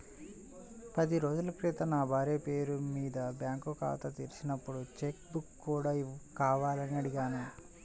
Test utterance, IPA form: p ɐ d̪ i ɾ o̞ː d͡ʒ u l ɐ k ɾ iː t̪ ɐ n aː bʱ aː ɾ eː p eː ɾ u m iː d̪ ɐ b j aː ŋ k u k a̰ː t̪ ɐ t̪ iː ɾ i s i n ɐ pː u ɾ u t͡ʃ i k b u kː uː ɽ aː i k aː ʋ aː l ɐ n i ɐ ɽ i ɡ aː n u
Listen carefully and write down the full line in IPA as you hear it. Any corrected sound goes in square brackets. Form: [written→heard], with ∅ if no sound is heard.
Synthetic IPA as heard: p ɐ d̪ i ɾ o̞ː d͡ʒ u l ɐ k ɾ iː t̪ ɐ n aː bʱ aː ɾ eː p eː ɾ u m iː d̪ ɐ b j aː ŋ k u k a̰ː t̪ ɐ t̪ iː ɾ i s i n ɐ pː u [ɾ→ɽ] u t͡ʃ [i→e] k b u kː uː ɽ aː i k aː ʋ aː l ɐ n i ɐ ɽ i ɡ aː n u